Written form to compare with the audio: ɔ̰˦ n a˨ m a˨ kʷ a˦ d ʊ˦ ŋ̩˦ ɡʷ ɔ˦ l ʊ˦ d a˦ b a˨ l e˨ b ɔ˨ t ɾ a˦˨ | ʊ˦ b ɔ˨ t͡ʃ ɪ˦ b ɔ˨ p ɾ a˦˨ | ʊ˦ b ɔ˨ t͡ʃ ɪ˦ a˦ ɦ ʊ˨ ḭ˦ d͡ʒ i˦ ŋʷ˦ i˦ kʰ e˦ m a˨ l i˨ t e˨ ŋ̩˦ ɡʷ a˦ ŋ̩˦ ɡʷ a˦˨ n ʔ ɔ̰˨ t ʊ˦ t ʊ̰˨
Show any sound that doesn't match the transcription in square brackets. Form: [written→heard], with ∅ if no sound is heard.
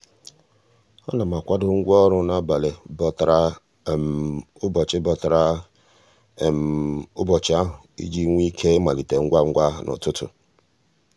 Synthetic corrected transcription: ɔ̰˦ n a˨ m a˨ kʷ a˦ d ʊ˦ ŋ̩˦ ɡʷ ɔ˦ [l→ɾ] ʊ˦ [d→n] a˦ b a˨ l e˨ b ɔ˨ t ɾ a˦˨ | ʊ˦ b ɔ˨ t͡ʃ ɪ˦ b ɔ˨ [p→t] ɾ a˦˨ | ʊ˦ b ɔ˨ t͡ʃ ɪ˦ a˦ ɦ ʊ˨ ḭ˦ d͡ʒ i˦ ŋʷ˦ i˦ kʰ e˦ m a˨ l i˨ t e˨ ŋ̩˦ ɡʷ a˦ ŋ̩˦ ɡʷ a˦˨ n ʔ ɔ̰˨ t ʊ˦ t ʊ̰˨

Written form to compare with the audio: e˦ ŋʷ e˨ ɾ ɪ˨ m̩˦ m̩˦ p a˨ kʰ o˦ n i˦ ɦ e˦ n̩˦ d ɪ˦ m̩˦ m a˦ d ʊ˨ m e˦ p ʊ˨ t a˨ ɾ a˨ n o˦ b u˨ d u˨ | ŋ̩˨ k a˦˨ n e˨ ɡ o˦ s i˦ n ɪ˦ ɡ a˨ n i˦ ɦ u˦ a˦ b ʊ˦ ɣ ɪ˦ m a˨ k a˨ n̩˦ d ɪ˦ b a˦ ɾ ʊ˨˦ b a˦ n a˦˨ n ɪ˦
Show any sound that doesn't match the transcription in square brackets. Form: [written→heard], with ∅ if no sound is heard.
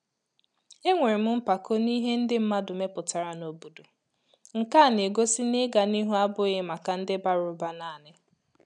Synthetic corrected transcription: e˦ ŋʷ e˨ ɾ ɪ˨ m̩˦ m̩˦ p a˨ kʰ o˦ n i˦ ɦ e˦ n̩˦ d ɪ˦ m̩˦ m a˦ d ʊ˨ m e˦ p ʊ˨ t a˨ ɾ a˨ n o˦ b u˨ d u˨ | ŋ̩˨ k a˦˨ n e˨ ɡ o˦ s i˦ n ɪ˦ ɡ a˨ n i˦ ɦ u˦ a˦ b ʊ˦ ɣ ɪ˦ m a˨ k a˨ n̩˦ d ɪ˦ b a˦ ɾ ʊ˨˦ b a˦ n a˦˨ n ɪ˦

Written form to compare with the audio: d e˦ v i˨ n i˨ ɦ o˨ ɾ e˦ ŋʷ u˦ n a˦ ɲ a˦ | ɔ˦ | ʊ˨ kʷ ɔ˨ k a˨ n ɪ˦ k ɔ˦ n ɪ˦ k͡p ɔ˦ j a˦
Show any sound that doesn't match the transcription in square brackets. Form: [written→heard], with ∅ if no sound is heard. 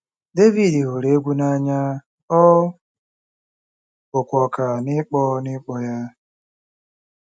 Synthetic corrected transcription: d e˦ v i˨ [n→d] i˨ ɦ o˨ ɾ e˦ [ŋʷ→ɡʷ] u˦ n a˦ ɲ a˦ | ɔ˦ | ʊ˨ kʷ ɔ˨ k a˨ n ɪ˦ [k→k͡p] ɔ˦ n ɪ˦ k͡p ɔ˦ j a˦

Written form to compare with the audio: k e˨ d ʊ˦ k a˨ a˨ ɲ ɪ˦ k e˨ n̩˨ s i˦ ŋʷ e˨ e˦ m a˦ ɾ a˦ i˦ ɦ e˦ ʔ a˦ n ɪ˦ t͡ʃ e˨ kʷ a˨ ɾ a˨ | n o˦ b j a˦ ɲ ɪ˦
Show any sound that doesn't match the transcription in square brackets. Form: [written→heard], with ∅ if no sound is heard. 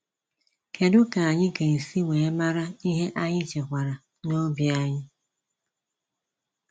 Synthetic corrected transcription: k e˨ d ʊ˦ k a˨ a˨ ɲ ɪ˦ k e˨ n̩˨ s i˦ ŋʷ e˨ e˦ m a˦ ɾ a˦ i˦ ɦ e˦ ʔ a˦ [n→ɲ] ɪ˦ t͡ʃ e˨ kʷ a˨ ɾ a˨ | n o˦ b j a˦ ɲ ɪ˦

